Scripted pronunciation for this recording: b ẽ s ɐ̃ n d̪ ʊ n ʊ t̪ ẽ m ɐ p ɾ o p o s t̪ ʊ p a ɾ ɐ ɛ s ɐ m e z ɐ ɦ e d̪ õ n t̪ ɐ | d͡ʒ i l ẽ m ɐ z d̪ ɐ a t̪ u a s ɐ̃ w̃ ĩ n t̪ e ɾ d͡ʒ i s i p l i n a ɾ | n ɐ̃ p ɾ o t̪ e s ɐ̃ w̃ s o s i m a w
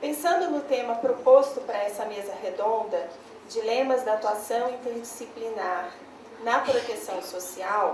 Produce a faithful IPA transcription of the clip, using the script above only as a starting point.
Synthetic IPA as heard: p ẽ s ɐ̃ n d̪ ʊ n ʊ t̪ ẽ m ɐ p ɾ o p o s t̪ ʊ p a ɾ ɐ ɛ s ɐ m e z ɐ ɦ e d̪ õ n d̪ ɐ | d͡ʒ i l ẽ m ɐ z d̪ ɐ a t̪ u a s ɐ̃ w̃ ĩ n t̪ e ɾ d͡ʒ i s i p l i n a ɾ | n ɐ p ɾ o t̪ e s ɐ̃ w̃ s o s i a w

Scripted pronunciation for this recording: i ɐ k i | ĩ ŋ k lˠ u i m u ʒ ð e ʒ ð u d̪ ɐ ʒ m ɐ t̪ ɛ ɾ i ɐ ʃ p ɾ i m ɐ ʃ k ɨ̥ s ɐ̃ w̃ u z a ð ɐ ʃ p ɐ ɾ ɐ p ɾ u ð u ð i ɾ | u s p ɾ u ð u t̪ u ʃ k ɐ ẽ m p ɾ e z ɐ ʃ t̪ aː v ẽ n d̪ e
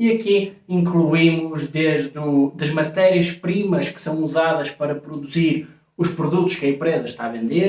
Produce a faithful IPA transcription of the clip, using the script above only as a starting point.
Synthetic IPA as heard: i ɐ k i | ĩ ŋ k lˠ u i m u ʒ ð e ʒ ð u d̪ ɐ ʒ m ɐ t̪ ɛ ɾ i ɐ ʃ p ɾ i m ɐ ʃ k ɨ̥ s ɐ̃ w̃ u z a ð ɐ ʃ p ɐ ɾ ɐ p ɾ u ð u z i ɾ | u ʃ p ɾ u ð u t̪ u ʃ k ɐ ẽ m p ɾ e z ɐ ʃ t̪ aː v ẽ n d̪ e

